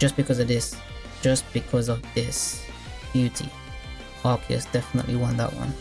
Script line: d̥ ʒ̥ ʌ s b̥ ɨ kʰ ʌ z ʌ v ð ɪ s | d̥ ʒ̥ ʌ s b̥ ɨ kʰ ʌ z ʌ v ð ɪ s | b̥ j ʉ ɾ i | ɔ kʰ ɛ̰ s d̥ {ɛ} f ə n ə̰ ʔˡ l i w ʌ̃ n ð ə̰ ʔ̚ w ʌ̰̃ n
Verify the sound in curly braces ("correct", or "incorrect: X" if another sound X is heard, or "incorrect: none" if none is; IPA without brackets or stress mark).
correct